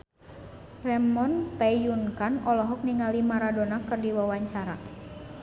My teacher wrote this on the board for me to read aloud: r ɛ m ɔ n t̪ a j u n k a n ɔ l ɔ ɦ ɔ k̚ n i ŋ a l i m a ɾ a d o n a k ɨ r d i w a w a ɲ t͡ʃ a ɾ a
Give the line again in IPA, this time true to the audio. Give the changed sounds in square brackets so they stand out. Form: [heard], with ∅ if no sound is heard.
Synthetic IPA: r ɛ m ɔ n t̪ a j u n k a n ɔ l ɔ ɦ ɔ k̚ n i ŋ a l i m a ɾ a d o n a k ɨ r d i w a w a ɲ t͡ʃ a ɾ a